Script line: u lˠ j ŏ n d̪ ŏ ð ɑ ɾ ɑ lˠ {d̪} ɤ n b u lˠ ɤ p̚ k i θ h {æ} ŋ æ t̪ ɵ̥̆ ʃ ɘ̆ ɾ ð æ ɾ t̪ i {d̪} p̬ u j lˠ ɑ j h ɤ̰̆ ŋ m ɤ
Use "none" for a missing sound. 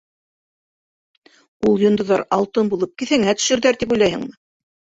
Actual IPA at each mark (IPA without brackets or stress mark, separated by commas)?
t̪, æ, none